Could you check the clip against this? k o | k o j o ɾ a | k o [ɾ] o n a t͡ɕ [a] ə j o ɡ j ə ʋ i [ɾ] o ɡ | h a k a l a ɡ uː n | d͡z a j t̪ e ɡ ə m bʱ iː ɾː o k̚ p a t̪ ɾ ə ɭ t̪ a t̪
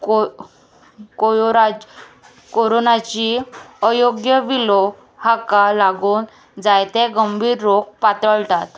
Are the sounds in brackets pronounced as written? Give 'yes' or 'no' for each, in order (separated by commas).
yes, no, no